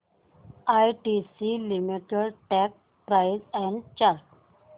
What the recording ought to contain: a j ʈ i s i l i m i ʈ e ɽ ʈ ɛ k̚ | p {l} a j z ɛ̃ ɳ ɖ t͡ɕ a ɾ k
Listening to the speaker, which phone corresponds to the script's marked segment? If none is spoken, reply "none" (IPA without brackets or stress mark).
ɾ